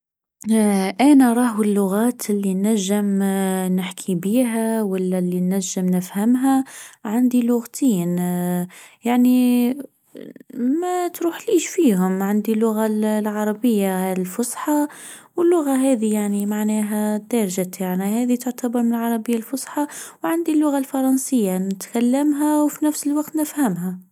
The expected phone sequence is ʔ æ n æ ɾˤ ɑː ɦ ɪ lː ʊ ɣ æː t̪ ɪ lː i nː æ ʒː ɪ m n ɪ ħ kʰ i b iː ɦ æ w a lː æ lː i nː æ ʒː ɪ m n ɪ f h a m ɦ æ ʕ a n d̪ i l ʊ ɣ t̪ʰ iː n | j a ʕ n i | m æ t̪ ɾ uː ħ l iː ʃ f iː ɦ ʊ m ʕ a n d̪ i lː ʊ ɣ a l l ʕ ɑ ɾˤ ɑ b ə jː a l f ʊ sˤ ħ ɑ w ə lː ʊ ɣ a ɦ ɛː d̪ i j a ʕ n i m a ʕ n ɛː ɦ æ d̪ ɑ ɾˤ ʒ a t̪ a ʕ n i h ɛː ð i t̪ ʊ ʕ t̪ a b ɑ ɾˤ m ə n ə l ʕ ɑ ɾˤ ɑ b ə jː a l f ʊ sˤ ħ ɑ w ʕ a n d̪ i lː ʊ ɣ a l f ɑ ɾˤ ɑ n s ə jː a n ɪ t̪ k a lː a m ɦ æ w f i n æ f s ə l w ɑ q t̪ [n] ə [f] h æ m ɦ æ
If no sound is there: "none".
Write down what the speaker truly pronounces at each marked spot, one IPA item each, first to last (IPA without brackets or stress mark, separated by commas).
n, f